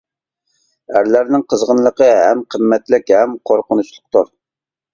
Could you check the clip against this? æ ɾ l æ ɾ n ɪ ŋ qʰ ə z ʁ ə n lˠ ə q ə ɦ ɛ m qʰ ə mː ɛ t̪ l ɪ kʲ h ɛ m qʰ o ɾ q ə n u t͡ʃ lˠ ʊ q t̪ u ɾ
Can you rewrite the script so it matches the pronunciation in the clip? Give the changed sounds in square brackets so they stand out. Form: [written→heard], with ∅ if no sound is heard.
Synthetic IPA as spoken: æ ɾ l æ ɾ n ɪ ŋ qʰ ə z ʁ ə n lˠ ə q ə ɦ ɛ m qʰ ə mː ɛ t̪ l ɪ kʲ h ɛ m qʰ o ɾ q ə n u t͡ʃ lˠ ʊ q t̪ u ɾ